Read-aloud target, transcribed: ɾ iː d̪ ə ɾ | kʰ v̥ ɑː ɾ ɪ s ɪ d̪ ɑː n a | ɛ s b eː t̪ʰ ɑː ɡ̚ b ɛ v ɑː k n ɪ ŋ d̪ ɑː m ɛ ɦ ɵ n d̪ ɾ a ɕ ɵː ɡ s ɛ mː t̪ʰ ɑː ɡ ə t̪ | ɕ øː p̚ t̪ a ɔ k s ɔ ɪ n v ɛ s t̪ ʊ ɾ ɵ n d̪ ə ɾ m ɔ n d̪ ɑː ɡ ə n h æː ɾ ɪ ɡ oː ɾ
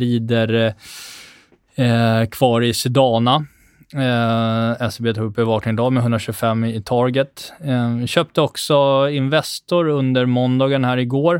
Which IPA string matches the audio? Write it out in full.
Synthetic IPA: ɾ iː d̪ ə ɾ | kʰ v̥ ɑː ɾ ɪ s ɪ d̪ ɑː n a | ɛ s b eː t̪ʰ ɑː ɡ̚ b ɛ v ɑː k n ɪ ŋ d̪ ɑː m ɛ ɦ ɵ n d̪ ɾ a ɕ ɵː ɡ f ɛ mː t̪ʰ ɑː ɡ ə t̪ | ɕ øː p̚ t̪ ə ɔ k s ɔ ɪ n v ɛ s t̪ ʊ ɾ ɵ n d̪ ə ɾ m ɔ n d̪ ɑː ɡ ə n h æː ɾ ɪ ɡ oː ɾ